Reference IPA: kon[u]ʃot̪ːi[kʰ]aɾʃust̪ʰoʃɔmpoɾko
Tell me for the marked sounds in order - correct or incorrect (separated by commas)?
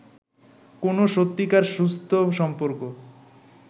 incorrect, incorrect